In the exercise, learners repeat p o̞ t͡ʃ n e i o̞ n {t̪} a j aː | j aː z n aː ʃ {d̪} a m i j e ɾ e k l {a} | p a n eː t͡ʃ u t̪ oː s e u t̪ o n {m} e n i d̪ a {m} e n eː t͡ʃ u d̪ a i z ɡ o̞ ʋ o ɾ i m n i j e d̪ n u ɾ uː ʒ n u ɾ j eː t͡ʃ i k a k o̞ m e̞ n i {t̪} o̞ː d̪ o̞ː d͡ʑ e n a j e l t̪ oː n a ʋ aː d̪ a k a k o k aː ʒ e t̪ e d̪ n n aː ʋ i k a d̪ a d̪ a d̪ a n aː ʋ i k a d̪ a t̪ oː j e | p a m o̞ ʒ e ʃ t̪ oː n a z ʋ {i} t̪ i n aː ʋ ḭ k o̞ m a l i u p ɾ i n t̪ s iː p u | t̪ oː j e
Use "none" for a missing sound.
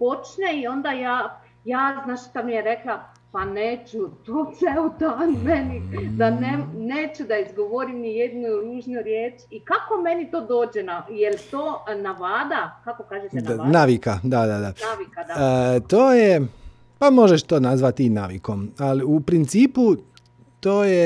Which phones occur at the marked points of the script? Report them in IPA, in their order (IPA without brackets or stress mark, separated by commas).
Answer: d̪, t̪, a, m, n, t̪, a